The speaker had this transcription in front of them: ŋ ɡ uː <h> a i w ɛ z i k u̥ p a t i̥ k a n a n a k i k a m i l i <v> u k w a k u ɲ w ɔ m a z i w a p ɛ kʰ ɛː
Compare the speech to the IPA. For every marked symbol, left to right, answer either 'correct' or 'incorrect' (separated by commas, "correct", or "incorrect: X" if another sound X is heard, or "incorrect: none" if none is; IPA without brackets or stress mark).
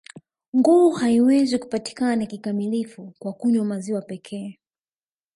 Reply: correct, incorrect: f